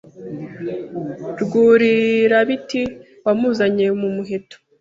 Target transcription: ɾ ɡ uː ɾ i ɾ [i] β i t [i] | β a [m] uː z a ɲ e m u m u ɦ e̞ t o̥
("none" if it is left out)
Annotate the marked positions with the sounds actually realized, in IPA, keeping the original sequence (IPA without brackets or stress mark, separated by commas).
a, i, m